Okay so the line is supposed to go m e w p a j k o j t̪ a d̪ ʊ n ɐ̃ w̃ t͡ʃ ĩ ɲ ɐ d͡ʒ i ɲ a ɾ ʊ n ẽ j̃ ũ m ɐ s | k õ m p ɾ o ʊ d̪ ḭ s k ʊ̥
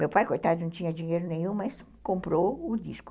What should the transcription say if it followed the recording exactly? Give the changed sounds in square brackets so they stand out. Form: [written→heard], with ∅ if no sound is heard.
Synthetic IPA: m e w p a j k o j t̪ a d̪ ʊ n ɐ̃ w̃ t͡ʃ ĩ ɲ ɐ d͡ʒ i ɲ [a→e] ɾ ʊ n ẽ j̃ ũ m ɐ s | k õ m p ɾ o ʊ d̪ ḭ s k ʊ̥